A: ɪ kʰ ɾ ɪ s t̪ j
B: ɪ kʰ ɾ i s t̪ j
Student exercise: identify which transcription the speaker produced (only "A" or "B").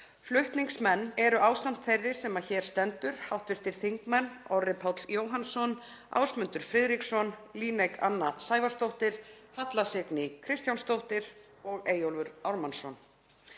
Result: A